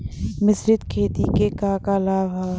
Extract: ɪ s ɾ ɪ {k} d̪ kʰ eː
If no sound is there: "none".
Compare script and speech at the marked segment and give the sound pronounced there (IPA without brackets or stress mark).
none